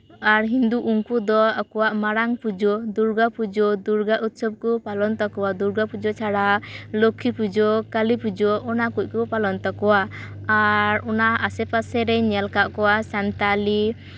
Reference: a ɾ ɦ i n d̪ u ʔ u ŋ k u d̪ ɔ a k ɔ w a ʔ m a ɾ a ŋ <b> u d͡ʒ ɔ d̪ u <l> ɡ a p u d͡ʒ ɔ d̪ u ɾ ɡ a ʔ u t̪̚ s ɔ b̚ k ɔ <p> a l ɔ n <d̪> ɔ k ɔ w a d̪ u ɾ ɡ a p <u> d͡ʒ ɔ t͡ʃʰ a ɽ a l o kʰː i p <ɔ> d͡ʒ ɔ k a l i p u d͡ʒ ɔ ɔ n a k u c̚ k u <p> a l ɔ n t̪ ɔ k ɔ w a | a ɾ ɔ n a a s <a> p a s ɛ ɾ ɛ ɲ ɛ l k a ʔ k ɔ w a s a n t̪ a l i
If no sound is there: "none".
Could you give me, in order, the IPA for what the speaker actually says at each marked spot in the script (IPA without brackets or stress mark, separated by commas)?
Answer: p, ɾ, p, t̪, u, u, p, ɛ